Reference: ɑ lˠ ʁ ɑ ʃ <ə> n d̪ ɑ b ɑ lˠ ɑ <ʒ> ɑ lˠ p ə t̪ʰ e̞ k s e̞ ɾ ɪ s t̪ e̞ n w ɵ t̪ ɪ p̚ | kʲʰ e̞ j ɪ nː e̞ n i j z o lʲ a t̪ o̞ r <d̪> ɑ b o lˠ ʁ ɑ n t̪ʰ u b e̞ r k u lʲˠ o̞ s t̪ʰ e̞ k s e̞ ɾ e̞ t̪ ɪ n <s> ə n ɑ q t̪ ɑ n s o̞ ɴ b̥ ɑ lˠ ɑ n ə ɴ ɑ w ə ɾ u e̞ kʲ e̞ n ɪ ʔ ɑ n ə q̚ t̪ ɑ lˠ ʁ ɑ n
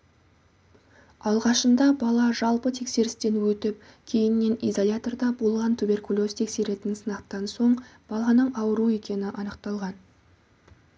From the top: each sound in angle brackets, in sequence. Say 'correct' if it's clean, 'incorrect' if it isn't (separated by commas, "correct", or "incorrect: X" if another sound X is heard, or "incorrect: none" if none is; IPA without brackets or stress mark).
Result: correct, correct, correct, correct